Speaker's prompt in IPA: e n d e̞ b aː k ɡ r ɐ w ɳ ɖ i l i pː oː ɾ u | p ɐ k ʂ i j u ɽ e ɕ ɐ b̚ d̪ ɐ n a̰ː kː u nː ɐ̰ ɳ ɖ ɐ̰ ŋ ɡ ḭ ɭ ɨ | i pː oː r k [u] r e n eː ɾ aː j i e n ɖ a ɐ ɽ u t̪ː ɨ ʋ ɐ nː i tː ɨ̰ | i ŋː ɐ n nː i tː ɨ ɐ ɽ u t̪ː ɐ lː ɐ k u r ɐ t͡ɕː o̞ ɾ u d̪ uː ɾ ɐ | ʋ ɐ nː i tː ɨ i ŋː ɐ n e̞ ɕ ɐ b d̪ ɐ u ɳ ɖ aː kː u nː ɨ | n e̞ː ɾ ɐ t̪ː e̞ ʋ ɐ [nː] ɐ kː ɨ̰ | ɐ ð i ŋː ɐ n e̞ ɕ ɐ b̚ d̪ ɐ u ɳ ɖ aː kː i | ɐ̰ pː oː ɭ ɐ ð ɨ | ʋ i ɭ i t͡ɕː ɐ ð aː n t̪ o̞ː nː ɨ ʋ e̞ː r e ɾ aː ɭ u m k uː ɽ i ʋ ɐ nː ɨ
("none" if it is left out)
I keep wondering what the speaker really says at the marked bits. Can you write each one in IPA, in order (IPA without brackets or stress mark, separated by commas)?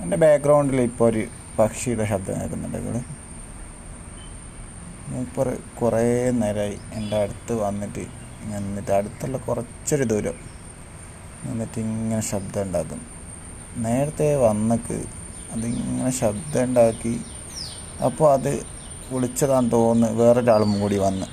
u, nː